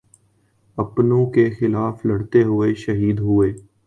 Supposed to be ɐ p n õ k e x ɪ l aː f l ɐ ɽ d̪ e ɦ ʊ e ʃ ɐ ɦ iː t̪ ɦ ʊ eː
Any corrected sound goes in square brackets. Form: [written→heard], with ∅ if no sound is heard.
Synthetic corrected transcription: ɐ p n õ k e x ɪ l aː f l ɐ ɽ [d̪→t̪] e ɦ ʊ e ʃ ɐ ɦ iː [t̪→d̪] ɦ ʊ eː